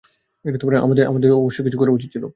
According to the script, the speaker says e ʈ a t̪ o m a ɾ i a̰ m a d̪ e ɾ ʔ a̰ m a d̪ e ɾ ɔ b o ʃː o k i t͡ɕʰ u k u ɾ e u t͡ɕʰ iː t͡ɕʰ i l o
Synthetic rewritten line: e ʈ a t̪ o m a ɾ e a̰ m a d̪ e ɾ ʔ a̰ m a d̪ e ɾ ɔ b o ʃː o k i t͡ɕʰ u k o ɾ e u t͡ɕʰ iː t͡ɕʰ i l o